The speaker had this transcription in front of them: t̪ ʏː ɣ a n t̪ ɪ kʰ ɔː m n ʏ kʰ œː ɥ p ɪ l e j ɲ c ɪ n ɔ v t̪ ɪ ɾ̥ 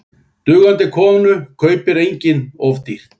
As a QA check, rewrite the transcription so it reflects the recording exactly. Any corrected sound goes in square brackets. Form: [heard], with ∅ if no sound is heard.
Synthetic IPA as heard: t̪ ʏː ɣ a n t̪ ɪ kʰ ɔː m n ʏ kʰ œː ɥ p ɪ [ɾ] e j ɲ c ɪ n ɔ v t̪ [i] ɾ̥